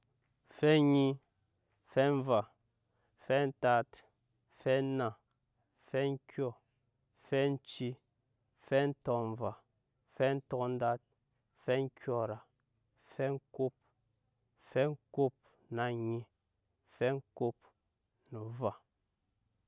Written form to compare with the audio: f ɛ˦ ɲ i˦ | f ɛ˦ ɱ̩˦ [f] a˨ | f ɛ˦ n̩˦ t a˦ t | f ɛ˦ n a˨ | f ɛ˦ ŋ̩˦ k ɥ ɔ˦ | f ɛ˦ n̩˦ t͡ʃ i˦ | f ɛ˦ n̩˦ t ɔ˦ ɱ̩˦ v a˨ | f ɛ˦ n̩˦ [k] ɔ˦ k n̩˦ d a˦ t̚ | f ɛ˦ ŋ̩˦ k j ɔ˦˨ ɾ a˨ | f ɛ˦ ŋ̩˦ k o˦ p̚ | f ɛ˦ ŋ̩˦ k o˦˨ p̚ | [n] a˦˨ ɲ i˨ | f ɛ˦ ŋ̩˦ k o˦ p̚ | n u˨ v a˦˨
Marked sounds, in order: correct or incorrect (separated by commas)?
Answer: incorrect, incorrect, correct